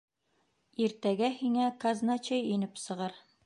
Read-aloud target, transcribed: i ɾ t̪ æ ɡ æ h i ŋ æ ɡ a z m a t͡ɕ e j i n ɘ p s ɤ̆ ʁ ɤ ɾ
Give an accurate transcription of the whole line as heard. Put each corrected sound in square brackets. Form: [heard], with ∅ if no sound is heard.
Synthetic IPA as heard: i ɾ t̪ æ ɡ æ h i ŋ æ [k] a z [n] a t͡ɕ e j i n ɘ p s ɤ̆ ʁ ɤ ɾ

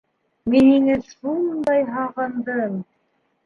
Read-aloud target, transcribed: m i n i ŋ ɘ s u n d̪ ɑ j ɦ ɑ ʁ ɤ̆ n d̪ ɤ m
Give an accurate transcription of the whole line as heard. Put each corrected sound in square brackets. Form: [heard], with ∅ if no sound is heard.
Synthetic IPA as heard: m i n i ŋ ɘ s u n d̪ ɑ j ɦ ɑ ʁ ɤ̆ n d̪ ɤ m

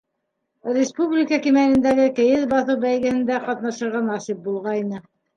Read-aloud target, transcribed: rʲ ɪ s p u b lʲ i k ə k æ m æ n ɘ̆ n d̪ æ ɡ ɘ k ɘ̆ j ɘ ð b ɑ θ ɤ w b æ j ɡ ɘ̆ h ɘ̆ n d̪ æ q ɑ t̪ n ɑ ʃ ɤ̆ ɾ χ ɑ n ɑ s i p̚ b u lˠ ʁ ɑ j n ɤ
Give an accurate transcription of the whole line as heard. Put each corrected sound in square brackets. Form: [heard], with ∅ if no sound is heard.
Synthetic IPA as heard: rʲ ɪ s p u b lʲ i k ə k [i] m æ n ɘ̆ n d̪ æ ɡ ɘ k ɘ̆ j ɘ ð b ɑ θ ɤ w b æ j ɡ ɘ̆ h ɘ̆ n d̪ æ q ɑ t̪ n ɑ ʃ ɤ̆ ɾ [ʁ] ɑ n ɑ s i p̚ b u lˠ ʁ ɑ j n ɤ

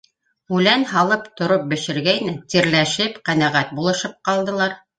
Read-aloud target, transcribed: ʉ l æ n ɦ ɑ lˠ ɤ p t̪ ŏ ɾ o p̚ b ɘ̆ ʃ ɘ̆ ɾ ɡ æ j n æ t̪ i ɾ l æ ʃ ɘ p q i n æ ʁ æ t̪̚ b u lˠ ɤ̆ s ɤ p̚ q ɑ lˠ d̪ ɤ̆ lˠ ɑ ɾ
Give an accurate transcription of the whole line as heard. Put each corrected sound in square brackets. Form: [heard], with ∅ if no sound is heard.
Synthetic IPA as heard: ʉ l æ n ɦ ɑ lˠ ɤ p t̪ ŏ ɾ o p̚ b ɘ̆ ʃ ɘ̆ ɾ ɡ æ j n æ t̪ i ɾ l æ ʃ ɘ p q [æ] n æ ʁ æ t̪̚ b u lˠ ɤ̆ [ʃ] ɤ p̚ q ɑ lˠ d̪ ɤ̆ lˠ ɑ ɾ

